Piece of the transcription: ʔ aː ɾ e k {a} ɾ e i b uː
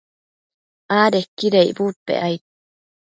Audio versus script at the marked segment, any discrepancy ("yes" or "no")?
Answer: yes